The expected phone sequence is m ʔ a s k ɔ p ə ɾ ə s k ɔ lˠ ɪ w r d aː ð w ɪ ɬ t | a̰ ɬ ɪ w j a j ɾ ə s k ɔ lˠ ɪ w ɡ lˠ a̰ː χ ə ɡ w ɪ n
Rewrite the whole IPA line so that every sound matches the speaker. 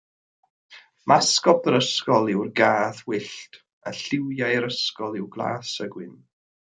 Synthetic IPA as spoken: m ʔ a s k ɔ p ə ɾ ə s k ɔ lˠ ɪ w r ɡ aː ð w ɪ ɬ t | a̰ ɬ ɪ w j a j ɾ ə s k ɔ lˠ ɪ w ɡ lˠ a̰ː s ə ɡ w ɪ n